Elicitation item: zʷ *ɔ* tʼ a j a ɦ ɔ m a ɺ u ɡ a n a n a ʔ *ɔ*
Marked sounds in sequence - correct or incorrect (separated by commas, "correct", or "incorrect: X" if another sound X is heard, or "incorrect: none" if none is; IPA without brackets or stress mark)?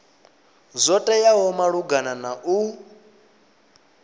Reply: correct, incorrect: u